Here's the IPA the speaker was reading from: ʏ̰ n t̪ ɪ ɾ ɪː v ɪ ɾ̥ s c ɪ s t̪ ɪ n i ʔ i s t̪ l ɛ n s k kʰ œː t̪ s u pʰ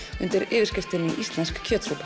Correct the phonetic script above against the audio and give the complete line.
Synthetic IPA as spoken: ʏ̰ n t̪ ɪ ɾ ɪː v ɪ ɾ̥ s c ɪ f t̪ ɪ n i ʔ i s t̪ l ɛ n s k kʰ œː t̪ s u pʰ